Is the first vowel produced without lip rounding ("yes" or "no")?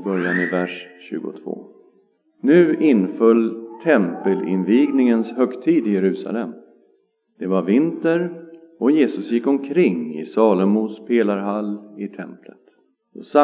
no